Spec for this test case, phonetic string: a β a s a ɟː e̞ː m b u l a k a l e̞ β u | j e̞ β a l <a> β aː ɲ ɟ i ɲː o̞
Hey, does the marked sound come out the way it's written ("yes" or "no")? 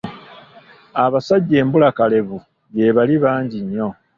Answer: no